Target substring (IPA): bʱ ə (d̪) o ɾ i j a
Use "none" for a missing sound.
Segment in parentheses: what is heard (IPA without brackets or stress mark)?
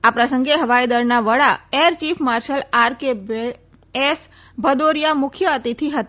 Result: d̪